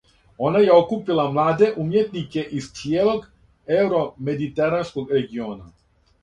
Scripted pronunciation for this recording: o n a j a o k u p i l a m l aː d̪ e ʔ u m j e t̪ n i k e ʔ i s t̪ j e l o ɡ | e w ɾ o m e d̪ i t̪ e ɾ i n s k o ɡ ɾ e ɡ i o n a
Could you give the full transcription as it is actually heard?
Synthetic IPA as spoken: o n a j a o k u p i l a m l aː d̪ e ʔ u m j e t̪ n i k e ʔ i s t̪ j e l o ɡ | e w ɾ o m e d̪ i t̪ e ɾ a n s k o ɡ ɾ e ɡ i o n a

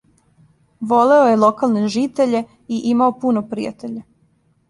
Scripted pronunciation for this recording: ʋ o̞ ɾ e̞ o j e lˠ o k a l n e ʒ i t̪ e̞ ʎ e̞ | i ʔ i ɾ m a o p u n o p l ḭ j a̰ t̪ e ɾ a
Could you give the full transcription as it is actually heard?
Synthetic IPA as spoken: ʋ o̞ l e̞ o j e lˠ o k a l n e ʒ i t̪ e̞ ʎ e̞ | i ʔ i m a o p u n o p ɾ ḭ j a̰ t̪ e ʎ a

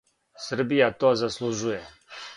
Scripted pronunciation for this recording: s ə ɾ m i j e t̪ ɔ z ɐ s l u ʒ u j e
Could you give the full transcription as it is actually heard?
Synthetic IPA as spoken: s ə ɾ b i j a t̪ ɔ z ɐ s l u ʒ u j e

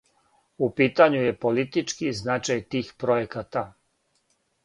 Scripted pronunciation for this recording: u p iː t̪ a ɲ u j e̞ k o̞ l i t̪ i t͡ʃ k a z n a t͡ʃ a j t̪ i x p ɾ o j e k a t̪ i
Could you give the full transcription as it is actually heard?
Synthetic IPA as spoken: u p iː t̪ a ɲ u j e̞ p o̞ l i t̪ i t͡ʃ k i z n a t͡ʃ a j t̪ iː x p ɾ o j e k a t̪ a

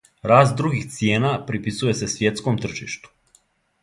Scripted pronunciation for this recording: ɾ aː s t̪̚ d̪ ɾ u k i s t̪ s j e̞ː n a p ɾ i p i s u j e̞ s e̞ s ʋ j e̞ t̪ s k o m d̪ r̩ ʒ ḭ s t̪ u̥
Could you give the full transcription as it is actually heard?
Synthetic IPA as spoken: ɾ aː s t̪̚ d̪ ɾ u ɡ i x t̪ s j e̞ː n a p ɾ i p i s u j e̞ s e̞ s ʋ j e̞ t̪ s k o m t̪ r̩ ʒ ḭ ʃ t̪ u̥

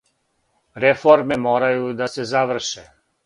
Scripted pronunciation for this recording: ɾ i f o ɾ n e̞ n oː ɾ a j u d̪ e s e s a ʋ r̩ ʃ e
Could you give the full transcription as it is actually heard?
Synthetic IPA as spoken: ɾ e f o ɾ m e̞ m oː ɾ a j u d̪ a s e z a ʋ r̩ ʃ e

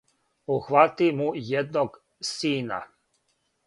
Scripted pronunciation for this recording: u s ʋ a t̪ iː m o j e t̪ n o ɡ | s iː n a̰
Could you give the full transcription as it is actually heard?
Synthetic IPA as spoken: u x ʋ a t̪ i m u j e d̪ n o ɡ | s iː n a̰

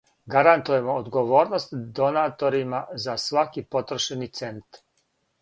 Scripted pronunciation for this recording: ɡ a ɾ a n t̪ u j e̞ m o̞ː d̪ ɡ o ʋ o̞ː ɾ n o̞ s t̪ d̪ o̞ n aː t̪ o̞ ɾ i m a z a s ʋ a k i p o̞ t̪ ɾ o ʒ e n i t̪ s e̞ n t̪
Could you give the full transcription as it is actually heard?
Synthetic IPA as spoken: ɡ a ɾ a n t̪ u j e̞ m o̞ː d̪ ɡ o ʋ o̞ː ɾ n o̞ s t̪ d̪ o̞ n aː t̪ o̞ ɾ i m a z a s ʋ a k i p o̞ t̪ ɾ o ʃ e n i t̪ s e̞ n t̪

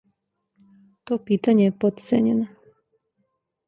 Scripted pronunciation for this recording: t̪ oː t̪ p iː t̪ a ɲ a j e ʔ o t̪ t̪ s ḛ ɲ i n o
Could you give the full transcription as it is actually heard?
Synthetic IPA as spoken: t̪ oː p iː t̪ a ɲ e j e p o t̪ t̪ s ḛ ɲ e n o

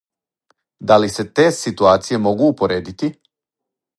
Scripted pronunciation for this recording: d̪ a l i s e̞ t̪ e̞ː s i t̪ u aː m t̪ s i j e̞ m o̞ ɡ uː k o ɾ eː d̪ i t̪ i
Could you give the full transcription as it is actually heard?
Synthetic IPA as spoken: d̪ a l i s e̞ t̪ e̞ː s i t̪ u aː t̪ s i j e̞ m o̞ ɡ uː p o ɾ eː d̪ i t̪ i

